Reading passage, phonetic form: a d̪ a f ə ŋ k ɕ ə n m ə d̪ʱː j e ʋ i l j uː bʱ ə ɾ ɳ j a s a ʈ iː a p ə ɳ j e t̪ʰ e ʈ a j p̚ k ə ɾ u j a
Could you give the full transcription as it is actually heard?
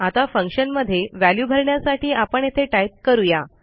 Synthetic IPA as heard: a t̪ a f ə ŋ k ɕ ə n m ə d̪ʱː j e ʋ æ l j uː bʱ ə ɾ ɳ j a s a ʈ iː a p ə ɳ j e t̪ʰ e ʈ a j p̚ k ə ɾ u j a